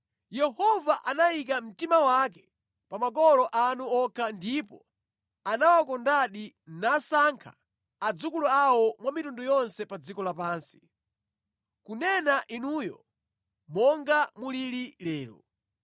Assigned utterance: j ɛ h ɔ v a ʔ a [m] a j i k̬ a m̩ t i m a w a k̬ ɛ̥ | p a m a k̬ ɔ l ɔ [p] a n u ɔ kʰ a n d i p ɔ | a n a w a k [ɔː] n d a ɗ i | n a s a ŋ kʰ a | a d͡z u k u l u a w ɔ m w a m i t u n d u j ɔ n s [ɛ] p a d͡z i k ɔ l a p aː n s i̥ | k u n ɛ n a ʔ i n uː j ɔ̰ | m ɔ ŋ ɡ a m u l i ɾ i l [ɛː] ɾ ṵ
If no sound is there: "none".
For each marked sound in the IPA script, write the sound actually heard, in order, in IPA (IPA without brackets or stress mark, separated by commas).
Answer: n, ʔ, ɔ, ɛ, ɛː